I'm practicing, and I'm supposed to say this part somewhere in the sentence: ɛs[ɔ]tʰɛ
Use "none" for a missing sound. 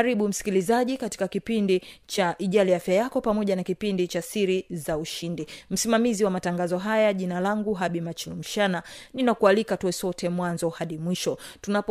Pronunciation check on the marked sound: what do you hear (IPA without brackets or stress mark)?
ɔ